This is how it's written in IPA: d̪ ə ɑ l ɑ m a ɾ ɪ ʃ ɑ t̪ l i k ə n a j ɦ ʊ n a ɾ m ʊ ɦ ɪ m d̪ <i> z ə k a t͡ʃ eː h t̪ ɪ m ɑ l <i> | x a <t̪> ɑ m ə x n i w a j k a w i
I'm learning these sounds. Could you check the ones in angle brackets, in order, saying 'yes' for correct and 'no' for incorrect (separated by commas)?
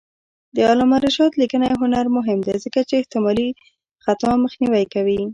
no, yes, yes